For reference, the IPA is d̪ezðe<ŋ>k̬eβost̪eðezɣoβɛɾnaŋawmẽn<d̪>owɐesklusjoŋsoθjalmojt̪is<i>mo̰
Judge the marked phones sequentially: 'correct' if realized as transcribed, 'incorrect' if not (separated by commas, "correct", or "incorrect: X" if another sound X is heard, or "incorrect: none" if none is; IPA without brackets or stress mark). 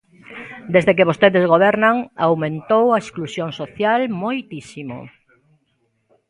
incorrect: none, incorrect: t̪, correct